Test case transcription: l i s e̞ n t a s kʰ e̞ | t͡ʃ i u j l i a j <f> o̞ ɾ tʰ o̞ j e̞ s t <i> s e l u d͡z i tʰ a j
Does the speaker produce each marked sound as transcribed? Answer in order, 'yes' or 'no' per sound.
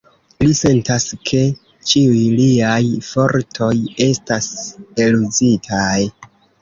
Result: yes, no

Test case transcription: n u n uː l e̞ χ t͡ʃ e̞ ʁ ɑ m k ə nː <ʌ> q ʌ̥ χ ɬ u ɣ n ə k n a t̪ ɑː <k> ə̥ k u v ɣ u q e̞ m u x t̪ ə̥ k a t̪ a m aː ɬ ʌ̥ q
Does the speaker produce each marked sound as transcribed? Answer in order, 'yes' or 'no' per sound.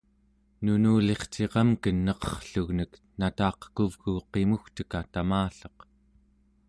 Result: yes, no

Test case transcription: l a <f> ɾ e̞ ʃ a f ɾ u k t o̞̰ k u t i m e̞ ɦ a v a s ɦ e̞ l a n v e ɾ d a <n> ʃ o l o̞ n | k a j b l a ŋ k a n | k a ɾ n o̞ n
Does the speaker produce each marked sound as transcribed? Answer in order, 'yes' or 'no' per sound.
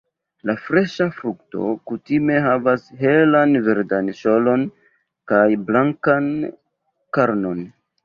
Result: yes, yes

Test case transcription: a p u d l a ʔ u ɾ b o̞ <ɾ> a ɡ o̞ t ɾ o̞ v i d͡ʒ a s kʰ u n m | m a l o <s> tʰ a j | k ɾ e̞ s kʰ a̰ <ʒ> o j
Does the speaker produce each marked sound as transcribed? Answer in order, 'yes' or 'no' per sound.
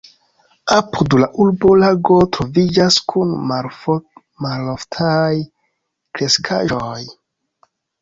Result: no, no, yes

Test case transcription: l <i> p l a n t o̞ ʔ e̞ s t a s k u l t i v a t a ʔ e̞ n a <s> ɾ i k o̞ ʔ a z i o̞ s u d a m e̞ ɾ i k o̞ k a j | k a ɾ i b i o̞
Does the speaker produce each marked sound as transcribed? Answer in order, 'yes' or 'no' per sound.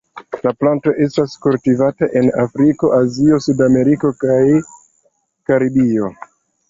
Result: no, no

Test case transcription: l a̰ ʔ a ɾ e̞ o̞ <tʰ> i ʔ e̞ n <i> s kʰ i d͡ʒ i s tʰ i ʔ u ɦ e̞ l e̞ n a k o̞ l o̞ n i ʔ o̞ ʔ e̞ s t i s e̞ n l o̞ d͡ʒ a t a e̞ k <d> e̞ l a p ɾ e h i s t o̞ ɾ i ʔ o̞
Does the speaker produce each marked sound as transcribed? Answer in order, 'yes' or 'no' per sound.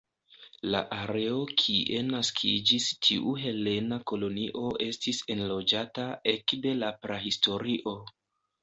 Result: no, no, yes

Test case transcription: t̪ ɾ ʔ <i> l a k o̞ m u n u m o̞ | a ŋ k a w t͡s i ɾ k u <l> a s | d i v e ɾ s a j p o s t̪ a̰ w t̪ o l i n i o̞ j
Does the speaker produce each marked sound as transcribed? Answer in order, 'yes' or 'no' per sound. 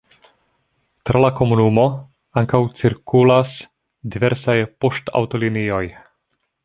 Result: no, yes

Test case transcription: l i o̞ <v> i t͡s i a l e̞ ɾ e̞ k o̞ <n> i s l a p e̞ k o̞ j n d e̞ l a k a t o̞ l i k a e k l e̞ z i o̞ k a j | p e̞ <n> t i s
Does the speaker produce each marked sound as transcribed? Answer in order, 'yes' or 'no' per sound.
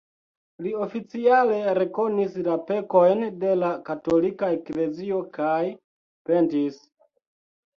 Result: no, yes, yes

